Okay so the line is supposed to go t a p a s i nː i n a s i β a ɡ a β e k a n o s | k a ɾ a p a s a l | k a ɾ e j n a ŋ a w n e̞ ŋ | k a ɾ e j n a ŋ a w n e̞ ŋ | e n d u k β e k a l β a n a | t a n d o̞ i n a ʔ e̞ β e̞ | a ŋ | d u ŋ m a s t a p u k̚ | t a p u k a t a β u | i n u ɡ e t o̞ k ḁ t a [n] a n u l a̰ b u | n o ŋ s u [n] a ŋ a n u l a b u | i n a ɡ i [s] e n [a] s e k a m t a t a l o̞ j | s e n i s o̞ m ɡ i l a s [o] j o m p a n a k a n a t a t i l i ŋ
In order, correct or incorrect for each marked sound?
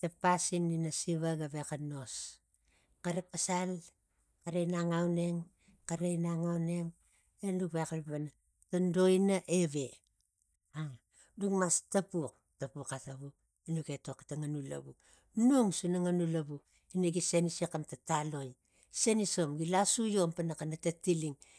incorrect: ŋ, correct, correct, incorrect: i, incorrect: u

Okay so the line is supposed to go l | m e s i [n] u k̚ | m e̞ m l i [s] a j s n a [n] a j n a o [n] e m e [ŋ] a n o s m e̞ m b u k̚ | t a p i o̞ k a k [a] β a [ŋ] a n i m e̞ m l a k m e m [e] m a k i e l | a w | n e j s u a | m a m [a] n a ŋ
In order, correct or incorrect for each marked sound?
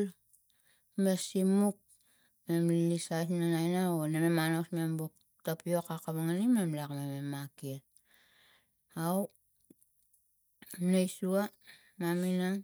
incorrect: m, correct, correct, correct, incorrect: m, correct, correct, correct, incorrect: i

